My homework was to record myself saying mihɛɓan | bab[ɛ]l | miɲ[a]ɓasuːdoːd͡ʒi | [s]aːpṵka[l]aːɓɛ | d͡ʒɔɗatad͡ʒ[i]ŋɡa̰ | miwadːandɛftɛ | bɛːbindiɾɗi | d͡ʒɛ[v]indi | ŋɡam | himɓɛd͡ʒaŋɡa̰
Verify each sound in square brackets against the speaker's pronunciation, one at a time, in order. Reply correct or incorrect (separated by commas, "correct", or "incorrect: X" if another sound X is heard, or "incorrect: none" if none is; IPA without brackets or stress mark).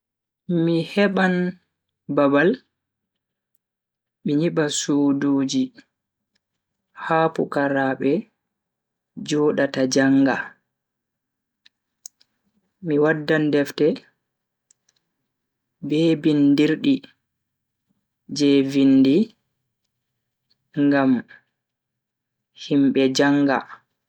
incorrect: a, incorrect: i, incorrect: h, incorrect: ɾ, incorrect: a, correct